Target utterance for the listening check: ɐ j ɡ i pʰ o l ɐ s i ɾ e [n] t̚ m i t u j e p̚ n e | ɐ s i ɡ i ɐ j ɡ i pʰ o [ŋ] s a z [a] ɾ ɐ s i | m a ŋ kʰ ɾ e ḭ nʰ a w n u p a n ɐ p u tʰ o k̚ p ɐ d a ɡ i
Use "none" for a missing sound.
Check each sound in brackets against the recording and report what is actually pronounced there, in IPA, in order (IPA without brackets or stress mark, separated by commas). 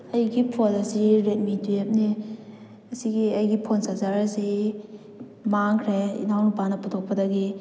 none, n, a